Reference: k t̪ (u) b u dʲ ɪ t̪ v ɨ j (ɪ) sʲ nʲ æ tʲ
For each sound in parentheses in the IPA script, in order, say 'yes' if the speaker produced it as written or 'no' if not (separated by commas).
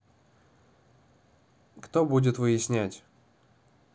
no, yes